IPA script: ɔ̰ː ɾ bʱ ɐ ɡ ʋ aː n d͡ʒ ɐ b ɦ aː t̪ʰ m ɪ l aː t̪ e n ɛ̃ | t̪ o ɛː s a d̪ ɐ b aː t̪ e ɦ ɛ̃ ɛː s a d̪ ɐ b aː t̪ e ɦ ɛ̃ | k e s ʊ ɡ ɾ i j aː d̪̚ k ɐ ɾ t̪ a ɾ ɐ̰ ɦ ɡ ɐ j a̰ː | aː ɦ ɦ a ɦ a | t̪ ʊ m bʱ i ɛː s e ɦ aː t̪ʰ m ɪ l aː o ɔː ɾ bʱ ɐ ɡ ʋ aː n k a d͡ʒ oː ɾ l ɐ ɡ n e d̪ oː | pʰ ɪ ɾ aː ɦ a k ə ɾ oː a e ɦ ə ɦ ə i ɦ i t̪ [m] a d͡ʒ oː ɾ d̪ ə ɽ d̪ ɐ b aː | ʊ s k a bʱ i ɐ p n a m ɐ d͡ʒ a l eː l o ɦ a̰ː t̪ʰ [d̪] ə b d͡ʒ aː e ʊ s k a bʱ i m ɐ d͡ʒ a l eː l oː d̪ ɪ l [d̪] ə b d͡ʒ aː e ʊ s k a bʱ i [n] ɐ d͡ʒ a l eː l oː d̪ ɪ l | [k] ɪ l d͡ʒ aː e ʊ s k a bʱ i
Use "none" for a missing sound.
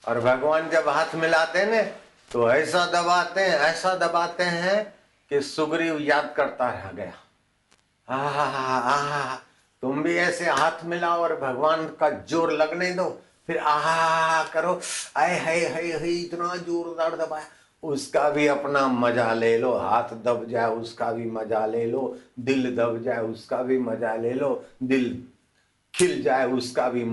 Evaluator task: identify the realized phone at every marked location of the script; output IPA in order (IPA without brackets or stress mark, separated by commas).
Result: n, d̪, d̪, m, kʰ